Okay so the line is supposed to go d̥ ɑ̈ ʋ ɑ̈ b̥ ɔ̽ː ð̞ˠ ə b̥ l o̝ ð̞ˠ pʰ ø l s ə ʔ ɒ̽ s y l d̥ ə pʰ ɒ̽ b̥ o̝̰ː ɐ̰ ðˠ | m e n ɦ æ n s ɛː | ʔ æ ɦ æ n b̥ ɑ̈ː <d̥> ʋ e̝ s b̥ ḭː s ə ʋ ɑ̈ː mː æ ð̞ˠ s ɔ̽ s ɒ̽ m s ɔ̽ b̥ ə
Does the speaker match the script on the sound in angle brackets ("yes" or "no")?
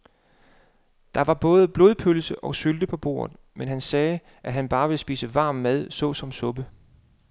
no